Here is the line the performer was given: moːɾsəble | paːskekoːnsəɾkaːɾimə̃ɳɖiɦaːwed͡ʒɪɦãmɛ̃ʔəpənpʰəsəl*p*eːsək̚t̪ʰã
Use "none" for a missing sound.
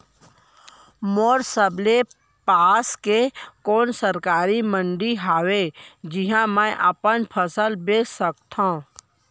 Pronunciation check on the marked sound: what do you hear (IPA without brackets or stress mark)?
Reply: b